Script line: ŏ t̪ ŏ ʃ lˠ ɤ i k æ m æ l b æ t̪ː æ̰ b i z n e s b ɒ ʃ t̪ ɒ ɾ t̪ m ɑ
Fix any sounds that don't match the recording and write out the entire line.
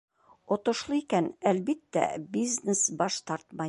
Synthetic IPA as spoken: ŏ t̪ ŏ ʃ lˠ ɤ i k æ n æ l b i t̪ː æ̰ b i z n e s b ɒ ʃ t̪ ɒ ɾ t̪ m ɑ